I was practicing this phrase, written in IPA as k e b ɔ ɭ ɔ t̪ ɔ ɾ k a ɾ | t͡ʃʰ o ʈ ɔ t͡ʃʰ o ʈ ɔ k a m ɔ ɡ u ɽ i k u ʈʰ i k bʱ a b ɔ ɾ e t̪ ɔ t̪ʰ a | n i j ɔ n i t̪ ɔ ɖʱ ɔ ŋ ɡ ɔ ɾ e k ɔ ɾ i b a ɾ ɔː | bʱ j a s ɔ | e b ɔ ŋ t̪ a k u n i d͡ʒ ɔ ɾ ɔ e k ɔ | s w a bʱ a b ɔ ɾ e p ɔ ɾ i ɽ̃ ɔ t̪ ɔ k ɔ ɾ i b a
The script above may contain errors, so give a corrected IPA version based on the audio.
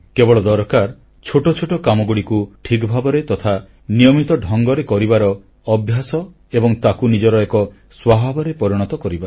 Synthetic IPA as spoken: k e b ɔ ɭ ɔ d̪ ɔ ɾ k a ɾ | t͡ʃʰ o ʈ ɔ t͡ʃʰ o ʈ ɔ k a m ɔ ɡ u ɽ i k u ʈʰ i k bʱ a b ɔ ɾ e t̪ ɔ t̪ʰ a | n i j ɔ m i t̪ ɔ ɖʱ ɔ ŋ ɡ ɔ ɾ e k ɔ ɾ i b a ɾ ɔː | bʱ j a s ɔ | e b ɔ ŋ t̪ a k u n i d͡ʒ ɔ ɾ ɔ e k ɔ | s w a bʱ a b ɔ ɾ e p ɔ ɾ i ɽ̃ ɔ t̪ ɔ k ɔ ɾ i b a